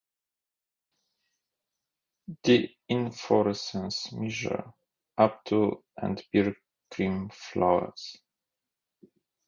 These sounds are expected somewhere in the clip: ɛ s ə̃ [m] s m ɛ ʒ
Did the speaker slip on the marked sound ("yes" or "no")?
yes